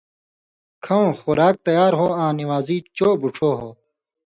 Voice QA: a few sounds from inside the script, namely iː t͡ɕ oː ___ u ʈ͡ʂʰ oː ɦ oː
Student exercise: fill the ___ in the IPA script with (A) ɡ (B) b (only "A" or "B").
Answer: B